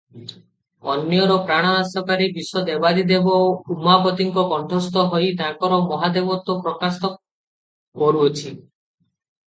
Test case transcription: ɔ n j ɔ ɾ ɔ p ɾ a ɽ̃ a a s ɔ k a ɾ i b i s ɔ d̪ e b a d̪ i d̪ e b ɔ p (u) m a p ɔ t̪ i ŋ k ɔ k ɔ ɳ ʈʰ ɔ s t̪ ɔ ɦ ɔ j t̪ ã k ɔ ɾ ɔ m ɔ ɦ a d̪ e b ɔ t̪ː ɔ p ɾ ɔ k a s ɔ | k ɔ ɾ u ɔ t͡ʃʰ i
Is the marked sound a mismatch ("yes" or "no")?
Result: no